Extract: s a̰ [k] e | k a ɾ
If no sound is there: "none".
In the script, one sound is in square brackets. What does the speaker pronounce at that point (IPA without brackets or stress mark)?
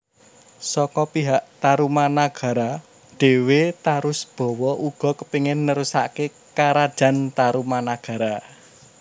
k